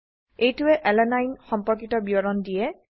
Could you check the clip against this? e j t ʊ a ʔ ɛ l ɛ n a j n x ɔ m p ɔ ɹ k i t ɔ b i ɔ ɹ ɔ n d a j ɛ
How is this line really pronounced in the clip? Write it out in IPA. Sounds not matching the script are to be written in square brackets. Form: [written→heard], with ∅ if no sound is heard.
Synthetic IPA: e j t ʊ [a→ɛ] ʔ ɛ l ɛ n a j n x ɔ m p ɔ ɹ k i t ɔ b i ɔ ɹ ɔ n d [a→i] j ɛ